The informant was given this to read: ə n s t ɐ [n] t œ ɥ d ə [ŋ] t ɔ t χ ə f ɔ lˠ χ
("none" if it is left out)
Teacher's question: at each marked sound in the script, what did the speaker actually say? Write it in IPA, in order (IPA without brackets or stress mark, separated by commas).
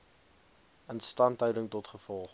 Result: n, ŋ